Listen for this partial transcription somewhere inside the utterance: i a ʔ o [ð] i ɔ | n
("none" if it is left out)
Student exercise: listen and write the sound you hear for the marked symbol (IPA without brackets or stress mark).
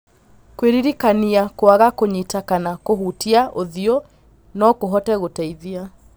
ð